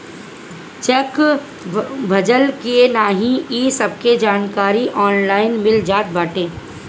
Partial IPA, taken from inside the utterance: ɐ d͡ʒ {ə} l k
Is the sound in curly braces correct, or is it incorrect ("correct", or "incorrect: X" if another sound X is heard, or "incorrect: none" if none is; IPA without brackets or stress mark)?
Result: correct